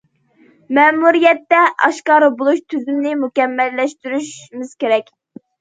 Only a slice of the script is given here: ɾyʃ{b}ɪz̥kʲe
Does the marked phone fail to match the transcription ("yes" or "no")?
yes